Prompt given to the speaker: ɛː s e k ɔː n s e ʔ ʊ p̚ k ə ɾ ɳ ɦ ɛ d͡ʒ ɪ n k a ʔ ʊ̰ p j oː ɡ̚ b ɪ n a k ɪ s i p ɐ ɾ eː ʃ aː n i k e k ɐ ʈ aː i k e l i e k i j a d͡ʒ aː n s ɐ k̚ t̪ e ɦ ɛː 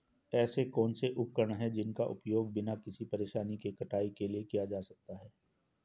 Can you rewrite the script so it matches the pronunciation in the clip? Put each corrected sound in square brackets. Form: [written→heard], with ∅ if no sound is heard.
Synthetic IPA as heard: ɛː s e k ɔː n s e ʔ ʊ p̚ k ə ɾ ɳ ɦ ɛ d͡ʒ ɪ n k a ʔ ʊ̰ p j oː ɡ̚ b ɪ n a k ɪ s i p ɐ ɾ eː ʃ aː n i k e k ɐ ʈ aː i k e l i e k i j a d͡ʒ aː [n→∅] s ɐ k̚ t̪ [e→a] ɦ ɛː